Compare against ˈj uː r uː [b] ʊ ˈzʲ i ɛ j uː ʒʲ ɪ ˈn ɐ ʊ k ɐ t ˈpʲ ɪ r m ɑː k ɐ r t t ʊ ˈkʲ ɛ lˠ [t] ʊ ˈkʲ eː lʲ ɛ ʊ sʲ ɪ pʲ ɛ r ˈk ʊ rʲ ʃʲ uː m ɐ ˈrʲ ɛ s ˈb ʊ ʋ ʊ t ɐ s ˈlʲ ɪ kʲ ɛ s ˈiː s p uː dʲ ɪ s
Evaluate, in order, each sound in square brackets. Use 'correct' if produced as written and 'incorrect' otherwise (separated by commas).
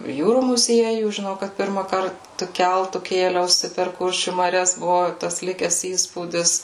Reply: incorrect, correct